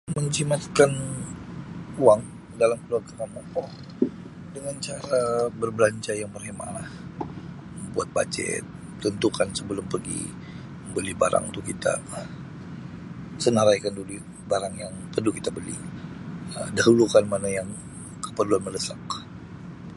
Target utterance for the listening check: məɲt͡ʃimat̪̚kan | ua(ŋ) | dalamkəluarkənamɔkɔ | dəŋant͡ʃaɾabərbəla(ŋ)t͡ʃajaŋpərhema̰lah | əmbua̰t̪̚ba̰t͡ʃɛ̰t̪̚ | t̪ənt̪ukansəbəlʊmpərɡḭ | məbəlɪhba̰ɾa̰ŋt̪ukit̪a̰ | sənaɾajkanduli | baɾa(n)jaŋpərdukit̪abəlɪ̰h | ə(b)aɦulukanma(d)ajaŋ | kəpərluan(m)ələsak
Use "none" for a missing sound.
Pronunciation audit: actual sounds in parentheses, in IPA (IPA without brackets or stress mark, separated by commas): ŋ, ɲ, ŋ, d, n, m